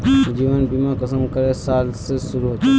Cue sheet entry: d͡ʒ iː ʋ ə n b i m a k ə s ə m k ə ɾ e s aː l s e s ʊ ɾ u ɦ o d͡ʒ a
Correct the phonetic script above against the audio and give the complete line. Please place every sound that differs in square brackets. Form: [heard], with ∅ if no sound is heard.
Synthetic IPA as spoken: d͡ʒ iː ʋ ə n b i m a k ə s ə m k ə ɾ e s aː l s e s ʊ ɾ u ɦ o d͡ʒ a